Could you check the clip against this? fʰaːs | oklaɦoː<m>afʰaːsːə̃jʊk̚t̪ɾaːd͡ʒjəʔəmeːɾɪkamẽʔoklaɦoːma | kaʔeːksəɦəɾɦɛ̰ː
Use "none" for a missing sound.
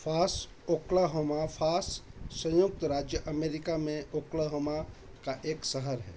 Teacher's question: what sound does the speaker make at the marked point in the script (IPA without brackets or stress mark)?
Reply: m